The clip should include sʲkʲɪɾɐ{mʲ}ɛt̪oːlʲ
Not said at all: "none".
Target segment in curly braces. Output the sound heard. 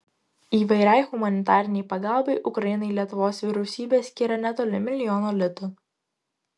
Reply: nʲ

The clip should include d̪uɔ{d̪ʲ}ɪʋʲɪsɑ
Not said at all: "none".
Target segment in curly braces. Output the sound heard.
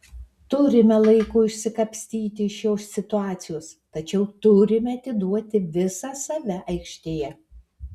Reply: t̪ʲ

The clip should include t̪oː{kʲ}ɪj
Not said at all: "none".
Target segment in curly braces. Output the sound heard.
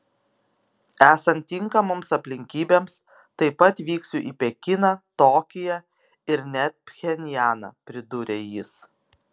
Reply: kʲ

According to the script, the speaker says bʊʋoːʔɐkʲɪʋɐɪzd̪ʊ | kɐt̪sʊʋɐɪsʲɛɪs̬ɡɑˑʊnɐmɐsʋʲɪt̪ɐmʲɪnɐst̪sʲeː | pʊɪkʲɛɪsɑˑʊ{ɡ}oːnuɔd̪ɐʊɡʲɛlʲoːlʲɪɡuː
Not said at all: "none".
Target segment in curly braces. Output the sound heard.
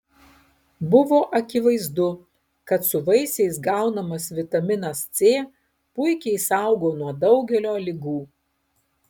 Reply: ɡ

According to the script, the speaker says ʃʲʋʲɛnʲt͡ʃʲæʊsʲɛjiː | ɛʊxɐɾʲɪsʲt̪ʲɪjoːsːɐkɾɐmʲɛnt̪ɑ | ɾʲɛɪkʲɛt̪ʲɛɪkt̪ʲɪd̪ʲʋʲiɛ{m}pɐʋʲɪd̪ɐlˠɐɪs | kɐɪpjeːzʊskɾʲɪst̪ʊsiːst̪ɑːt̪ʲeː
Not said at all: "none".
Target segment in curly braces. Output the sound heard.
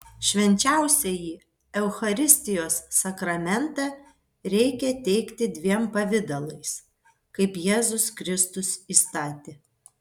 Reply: m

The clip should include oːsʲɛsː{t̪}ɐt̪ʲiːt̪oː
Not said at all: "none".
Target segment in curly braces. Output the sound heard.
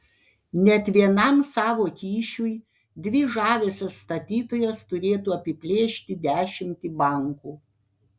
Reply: t̪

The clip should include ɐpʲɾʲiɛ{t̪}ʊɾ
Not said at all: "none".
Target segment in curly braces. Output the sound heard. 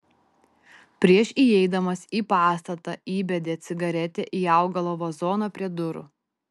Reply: d̪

